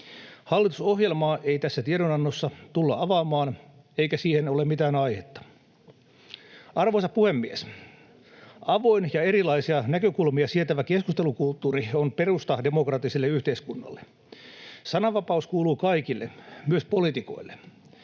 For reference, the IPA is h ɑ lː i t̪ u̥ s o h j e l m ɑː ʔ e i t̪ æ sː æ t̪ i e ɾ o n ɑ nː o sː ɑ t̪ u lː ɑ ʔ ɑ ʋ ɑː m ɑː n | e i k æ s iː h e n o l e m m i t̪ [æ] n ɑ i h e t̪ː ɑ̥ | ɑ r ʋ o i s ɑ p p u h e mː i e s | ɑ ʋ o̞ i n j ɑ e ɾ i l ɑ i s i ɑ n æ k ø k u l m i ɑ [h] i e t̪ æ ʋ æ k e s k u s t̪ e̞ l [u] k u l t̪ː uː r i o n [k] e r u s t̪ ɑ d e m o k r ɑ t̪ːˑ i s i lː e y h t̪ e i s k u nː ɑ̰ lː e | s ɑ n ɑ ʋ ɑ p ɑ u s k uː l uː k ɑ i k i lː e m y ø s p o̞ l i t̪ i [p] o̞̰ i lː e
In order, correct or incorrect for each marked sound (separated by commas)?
incorrect, incorrect, correct, incorrect, incorrect